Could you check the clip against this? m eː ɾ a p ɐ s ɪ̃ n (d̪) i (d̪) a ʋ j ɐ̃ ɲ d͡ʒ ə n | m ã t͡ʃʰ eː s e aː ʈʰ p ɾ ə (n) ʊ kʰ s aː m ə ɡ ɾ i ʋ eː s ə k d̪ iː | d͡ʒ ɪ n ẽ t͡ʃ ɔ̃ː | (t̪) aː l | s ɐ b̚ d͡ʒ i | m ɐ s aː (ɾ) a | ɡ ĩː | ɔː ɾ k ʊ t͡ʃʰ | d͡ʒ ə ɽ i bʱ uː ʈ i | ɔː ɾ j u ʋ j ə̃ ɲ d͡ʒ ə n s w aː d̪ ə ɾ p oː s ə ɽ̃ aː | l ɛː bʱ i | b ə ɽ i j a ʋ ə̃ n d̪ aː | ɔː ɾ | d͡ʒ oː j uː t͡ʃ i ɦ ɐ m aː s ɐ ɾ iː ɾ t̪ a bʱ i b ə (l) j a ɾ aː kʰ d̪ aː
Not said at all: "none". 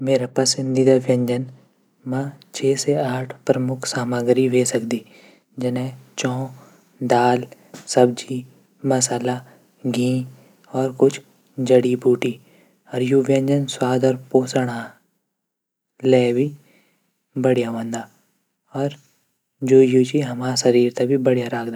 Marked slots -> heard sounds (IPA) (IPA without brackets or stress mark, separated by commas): d̪, d̪, m, d̪, l, ɽ